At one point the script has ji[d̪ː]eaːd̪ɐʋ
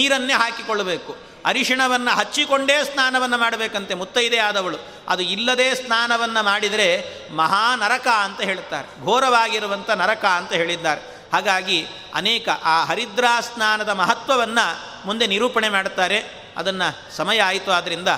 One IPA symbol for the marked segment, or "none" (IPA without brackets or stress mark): d̪